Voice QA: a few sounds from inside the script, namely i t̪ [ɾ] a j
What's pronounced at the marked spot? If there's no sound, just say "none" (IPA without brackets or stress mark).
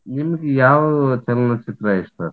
ɾ